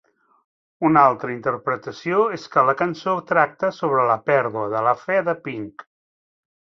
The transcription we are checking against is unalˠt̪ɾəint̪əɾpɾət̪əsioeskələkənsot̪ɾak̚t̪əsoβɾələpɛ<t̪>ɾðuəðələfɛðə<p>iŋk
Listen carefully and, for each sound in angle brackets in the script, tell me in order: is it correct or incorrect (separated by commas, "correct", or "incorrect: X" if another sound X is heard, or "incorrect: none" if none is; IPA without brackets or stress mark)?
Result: incorrect: none, correct